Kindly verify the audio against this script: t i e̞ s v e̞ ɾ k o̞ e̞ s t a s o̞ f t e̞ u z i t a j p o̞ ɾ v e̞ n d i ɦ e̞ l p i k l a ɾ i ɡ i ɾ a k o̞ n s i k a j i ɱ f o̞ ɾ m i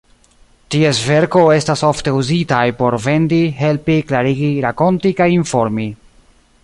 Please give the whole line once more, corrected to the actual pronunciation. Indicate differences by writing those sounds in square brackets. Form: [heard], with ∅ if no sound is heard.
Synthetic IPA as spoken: t i e̞ s v e̞ ɾ k o̞ e̞ s t a s o̞ f t e̞ u z i t a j p o̞ ɾ v e̞ n d i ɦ e̞ l p i k l a ɾ i ɡ i ɾ a k o̞ n [t] i k a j i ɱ f o̞ ɾ m i